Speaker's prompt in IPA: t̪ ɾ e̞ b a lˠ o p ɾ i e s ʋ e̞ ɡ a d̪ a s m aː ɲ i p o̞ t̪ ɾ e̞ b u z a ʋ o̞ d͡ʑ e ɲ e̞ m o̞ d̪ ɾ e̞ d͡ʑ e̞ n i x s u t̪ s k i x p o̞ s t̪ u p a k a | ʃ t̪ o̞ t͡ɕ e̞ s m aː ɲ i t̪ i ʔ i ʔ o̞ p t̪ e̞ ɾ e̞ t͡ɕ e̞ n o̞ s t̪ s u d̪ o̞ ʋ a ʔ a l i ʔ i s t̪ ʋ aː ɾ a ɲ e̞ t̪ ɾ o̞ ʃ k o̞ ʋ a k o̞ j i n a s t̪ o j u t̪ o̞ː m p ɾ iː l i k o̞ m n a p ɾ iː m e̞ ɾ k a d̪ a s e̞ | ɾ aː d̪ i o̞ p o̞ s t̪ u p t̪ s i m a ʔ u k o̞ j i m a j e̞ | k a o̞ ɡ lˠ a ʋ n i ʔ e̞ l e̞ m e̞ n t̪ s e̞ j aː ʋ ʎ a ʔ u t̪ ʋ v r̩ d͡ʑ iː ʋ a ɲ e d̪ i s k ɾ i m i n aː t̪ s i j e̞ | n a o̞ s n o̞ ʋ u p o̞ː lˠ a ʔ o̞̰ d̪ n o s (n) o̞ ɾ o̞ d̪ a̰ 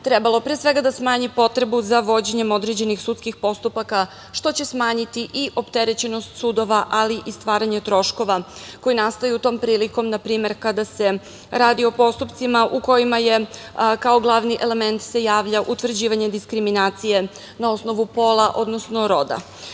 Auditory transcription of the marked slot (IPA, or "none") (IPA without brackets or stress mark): n